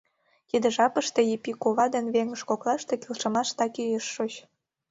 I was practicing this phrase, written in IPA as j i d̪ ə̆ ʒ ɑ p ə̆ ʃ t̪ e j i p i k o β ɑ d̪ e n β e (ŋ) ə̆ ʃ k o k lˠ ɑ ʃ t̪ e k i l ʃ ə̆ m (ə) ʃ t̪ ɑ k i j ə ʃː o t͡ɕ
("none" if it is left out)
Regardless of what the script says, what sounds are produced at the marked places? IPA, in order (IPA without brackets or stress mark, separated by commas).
ŋ, ɑ